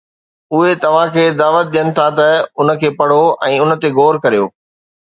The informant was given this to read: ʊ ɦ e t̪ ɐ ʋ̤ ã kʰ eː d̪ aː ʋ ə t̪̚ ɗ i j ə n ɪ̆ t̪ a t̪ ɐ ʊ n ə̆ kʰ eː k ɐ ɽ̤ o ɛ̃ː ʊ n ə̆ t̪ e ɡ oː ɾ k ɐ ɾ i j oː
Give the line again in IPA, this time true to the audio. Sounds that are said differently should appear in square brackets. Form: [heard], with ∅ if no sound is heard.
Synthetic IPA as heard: ʊ ɦ e t̪ ɐ ʋ̤ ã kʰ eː d̪ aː ʋ ə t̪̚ ɗ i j ə n ɪ̆ [t̪ʰ] a t̪ ɐ ʊ n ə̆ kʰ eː [p] ɐ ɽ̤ o ɛ̃ː ʊ n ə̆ t̪ e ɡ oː ɾ k ɐ ɾ i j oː